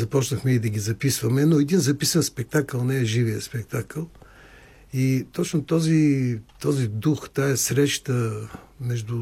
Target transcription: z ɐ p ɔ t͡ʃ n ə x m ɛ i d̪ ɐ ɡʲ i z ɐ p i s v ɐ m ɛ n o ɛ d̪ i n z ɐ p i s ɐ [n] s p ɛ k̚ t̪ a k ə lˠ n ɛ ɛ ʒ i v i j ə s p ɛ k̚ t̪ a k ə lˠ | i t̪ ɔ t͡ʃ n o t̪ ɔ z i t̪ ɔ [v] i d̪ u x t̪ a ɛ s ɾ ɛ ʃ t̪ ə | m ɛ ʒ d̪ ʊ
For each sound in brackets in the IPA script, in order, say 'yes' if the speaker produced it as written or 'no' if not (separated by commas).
yes, no